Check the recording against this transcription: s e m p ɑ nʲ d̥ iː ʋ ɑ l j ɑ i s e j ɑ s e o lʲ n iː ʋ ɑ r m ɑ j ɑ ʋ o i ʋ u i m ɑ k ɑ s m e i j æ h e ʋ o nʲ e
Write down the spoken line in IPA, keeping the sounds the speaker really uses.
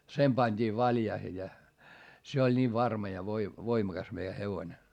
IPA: s e m p ɑ nʲ d̥ iː ʋ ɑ l j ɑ i h e j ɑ s e o lʲ n iː ʋ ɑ r m ɑ j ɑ ʋ o i ʋ o i m ɑ k ɑ s m e i j æ h e ʋ o nʲ e